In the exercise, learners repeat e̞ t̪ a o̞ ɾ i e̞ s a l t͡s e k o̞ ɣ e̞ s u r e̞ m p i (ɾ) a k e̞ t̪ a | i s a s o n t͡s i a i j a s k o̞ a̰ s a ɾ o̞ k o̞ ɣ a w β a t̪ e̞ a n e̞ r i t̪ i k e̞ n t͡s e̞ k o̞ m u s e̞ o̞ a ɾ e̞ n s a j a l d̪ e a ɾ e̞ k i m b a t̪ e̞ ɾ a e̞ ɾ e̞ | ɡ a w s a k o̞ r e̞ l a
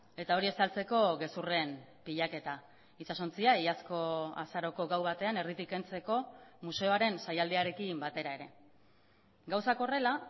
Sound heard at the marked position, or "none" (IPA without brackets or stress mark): ʎ